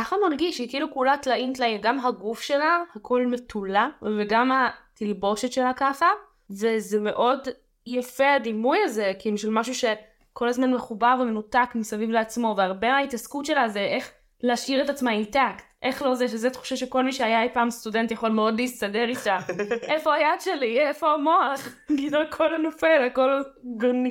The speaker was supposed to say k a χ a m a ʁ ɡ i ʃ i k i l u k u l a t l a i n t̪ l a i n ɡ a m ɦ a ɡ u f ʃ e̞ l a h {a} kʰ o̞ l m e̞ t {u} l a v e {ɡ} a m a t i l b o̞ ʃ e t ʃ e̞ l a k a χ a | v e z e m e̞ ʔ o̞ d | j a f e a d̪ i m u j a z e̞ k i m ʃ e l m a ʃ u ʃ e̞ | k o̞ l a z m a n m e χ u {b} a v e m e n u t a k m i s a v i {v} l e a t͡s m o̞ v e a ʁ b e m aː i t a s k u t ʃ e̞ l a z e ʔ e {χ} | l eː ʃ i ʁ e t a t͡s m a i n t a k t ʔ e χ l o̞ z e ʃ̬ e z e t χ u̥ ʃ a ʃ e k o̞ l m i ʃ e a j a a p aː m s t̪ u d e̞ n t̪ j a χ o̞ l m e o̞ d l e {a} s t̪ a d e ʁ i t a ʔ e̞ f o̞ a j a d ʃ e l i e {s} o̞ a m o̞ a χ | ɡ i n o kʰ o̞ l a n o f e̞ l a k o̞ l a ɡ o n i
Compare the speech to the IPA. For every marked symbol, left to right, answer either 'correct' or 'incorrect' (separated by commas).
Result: correct, correct, correct, correct, correct, correct, incorrect, incorrect